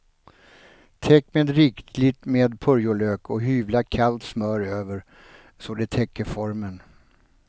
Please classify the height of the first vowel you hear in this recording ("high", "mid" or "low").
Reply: mid